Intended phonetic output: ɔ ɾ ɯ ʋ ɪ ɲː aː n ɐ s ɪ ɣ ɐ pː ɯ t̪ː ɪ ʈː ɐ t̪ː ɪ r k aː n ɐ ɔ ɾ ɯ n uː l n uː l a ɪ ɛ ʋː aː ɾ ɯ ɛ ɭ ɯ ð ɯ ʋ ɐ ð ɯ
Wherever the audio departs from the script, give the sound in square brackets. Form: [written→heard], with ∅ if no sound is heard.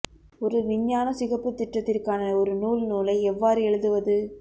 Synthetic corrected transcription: ɔ ɾ ɯ ʋ ɪ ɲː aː n ɐ s ɪ ɣ ɐ pː ɯ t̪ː ɪ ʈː ɐ t̪ː ɪ r k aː n ɐ ɔ ɾ ɯ n uː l n uː l [a→ɐ] ɪ ɛ ʋː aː ɾ ɯ ɛ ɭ ɯ ð ɯ ʋ ɐ ð ɯ